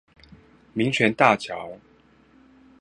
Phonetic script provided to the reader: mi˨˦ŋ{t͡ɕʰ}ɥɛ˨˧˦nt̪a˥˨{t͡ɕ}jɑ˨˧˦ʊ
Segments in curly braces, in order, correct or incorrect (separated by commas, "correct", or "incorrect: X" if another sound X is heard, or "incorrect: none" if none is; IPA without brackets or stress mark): correct, incorrect: t͡ɕʰ